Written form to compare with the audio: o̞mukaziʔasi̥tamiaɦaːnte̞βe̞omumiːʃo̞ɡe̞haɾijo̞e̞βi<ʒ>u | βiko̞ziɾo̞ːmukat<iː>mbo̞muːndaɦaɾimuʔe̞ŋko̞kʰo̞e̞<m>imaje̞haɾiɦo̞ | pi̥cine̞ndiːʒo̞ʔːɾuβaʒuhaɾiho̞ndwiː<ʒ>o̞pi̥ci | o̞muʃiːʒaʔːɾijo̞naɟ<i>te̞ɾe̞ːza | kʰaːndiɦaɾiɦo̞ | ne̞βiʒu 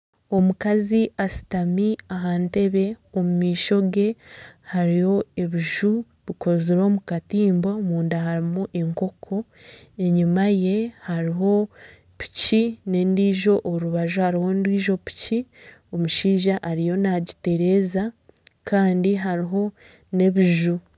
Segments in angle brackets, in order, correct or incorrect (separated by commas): correct, correct, incorrect, correct, correct